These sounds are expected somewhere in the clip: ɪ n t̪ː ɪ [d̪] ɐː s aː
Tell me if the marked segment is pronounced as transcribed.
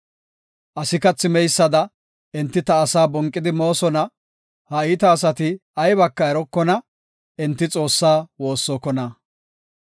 no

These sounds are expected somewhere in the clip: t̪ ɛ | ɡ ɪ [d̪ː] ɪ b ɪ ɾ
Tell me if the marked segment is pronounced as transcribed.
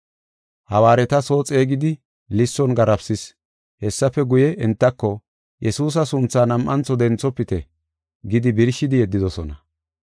no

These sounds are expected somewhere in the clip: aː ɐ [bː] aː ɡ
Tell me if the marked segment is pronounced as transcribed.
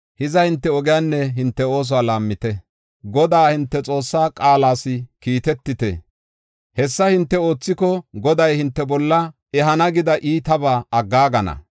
no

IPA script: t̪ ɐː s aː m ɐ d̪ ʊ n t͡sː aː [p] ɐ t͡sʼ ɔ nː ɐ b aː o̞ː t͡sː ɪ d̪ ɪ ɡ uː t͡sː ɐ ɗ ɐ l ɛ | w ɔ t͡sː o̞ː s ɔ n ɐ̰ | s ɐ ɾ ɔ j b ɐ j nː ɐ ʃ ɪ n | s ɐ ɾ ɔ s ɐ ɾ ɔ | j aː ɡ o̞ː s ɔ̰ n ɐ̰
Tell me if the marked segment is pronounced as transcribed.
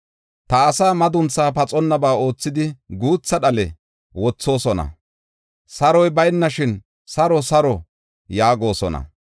yes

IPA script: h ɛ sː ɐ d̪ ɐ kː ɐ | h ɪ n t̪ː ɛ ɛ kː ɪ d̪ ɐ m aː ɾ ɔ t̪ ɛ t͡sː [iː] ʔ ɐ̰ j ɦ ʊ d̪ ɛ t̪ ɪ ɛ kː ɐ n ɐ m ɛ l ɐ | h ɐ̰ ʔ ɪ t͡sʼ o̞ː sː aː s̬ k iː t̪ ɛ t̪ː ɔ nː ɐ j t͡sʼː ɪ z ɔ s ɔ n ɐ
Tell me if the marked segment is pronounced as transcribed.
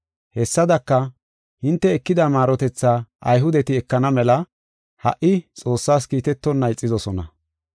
no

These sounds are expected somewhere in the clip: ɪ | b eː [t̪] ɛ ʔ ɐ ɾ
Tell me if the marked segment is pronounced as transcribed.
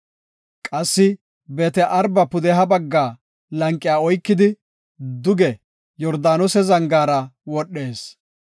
yes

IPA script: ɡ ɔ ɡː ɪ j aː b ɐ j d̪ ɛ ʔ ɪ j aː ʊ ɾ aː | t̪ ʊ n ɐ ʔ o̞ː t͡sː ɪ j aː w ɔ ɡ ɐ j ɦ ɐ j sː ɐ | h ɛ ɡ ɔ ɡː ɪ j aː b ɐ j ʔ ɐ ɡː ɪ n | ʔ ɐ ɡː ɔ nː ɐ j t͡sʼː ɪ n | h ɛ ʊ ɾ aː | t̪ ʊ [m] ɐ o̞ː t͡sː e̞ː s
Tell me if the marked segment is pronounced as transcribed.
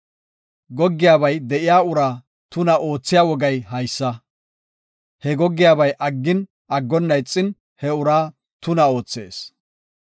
no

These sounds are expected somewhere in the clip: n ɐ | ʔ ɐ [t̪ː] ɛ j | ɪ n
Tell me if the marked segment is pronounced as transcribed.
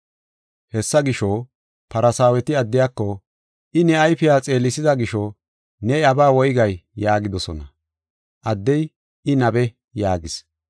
no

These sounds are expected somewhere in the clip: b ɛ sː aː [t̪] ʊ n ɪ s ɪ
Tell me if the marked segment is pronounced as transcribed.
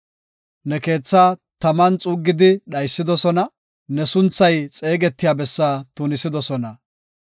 yes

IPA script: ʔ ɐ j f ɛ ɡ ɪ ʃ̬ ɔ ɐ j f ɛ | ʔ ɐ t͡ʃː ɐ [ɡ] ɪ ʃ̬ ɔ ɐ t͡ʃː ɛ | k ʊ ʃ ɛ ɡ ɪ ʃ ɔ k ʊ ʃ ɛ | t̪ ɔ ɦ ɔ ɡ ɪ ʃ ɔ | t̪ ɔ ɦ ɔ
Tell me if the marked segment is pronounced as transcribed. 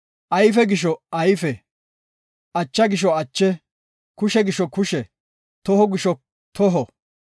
yes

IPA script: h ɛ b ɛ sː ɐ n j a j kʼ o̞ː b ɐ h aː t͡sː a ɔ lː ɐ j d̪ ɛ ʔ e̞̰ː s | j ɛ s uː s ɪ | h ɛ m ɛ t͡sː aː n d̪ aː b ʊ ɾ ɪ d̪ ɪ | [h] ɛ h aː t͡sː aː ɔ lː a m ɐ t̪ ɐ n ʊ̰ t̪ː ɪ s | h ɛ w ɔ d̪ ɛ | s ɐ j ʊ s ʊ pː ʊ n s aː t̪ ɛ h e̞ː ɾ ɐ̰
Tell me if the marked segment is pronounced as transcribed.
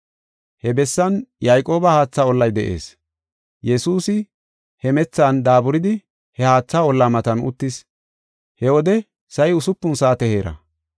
yes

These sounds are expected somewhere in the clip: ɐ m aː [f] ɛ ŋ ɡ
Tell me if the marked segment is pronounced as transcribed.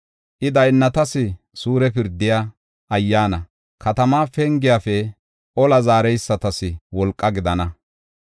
yes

